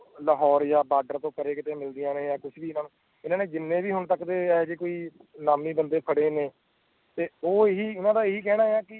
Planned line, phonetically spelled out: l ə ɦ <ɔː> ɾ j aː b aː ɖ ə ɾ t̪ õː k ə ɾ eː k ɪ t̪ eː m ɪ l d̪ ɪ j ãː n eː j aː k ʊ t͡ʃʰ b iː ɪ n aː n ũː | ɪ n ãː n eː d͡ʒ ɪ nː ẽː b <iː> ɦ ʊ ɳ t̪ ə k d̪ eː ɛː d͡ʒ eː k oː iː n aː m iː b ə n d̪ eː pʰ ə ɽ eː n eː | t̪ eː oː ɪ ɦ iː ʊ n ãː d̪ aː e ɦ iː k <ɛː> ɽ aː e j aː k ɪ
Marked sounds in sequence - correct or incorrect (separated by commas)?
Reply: correct, correct, correct